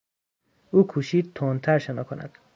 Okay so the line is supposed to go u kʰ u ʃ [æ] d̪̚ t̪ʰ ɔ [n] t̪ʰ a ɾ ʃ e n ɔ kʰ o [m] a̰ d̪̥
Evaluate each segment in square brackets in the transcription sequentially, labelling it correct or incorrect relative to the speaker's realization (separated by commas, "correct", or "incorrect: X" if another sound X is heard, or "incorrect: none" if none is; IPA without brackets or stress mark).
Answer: incorrect: i, correct, incorrect: n